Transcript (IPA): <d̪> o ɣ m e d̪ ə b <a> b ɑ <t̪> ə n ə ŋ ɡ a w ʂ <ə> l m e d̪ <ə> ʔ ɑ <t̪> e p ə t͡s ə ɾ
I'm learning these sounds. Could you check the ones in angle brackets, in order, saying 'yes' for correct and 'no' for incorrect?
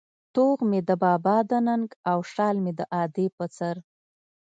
no, no, no, no, yes, no

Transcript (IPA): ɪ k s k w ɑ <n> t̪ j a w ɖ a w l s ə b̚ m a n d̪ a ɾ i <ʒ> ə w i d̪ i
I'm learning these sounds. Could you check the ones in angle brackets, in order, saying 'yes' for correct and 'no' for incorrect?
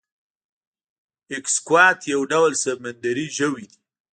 no, yes

